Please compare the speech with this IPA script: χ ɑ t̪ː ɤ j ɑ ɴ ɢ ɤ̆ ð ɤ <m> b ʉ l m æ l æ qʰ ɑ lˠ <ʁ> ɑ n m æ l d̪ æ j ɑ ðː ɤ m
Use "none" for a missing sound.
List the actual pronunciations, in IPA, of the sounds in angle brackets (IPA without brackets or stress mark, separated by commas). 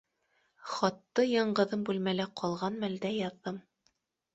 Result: m, ʁ